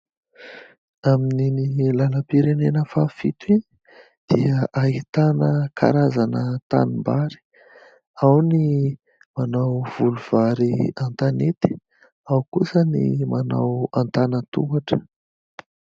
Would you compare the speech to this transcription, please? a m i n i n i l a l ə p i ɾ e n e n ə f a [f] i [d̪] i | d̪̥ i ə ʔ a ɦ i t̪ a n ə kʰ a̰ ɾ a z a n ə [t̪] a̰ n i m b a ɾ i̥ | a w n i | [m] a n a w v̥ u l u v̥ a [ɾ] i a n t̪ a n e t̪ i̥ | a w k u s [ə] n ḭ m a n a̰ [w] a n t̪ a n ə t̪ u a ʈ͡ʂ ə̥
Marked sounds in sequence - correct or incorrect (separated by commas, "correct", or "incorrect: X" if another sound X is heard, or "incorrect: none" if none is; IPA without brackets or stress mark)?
correct, incorrect: t̪, correct, correct, correct, correct, correct